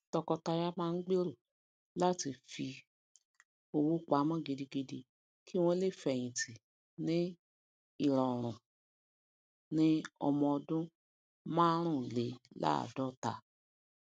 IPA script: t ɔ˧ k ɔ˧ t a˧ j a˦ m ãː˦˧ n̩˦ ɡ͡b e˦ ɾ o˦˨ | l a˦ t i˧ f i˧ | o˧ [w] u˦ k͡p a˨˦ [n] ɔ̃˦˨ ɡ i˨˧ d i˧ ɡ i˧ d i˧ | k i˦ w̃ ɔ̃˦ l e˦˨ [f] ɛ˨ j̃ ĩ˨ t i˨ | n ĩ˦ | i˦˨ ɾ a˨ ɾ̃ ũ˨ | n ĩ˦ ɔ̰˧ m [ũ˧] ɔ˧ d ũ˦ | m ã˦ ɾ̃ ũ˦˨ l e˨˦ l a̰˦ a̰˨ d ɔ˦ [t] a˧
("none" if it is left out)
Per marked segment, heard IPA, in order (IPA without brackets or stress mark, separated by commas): w, m, f, ɔ̃˧, t